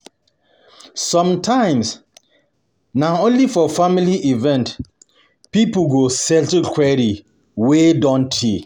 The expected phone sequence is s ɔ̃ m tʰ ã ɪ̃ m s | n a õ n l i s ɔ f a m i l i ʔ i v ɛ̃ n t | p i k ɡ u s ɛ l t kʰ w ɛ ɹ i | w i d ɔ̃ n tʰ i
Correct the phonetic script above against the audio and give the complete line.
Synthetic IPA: s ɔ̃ m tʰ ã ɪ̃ m s | n a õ n l i f ɔ f a m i l i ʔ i v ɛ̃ n t | p i p ɡ o s ɛ l t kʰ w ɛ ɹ i | w e d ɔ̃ n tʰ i